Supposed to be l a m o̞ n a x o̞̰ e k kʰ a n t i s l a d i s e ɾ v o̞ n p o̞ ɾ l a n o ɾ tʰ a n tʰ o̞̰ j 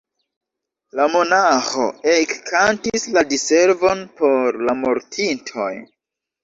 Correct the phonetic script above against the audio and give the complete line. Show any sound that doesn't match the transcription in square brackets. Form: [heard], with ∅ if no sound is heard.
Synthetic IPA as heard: l a m o̞ n a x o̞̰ e k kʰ a n t i s l a d i s e ɾ v o̞ n p o̞ ɾ l a [m] o ɾ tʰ [i] n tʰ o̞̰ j